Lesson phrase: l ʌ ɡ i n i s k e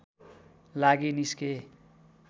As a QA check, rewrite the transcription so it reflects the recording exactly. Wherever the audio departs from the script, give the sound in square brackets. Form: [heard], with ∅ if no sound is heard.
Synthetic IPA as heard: l [a] ɡ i n i s k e